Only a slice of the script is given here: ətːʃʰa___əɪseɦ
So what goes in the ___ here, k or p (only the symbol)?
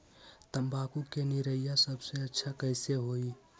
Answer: k